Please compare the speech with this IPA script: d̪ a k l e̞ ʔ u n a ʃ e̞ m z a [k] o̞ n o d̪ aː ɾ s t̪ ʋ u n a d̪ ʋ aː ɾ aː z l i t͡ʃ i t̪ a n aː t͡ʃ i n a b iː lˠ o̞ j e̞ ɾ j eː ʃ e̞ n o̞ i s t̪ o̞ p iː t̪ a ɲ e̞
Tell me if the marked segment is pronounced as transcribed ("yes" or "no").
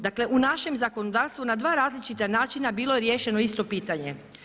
yes